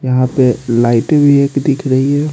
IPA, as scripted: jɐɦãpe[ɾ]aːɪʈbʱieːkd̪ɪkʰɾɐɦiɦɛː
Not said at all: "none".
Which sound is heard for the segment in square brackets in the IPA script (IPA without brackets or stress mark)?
l